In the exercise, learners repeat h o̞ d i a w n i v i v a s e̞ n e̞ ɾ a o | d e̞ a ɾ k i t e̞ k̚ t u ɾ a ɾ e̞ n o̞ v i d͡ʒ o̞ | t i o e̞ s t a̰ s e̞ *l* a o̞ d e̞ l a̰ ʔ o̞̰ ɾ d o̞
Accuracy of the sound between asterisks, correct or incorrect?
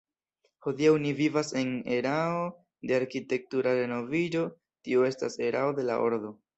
incorrect